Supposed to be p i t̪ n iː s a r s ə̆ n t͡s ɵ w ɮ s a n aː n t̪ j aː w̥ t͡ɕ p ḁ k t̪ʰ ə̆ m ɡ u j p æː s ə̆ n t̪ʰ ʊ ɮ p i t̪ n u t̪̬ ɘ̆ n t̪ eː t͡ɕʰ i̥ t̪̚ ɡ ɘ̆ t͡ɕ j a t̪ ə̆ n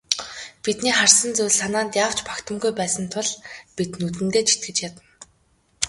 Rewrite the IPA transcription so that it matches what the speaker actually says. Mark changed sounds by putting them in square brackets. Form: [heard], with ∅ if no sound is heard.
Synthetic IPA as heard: p i t̪ n iː [χ] a r s ə̆ n t͡s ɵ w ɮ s a n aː n t̪ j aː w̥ t͡ɕ p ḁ k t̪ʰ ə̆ m ɡ u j p æː s ə̆ n t̪ʰ ʊ ɮ p i t̪ n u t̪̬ ɘ̆ n t̪ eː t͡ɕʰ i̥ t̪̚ ɡ ɘ̆ t͡ɕ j a t̪ ə̆ n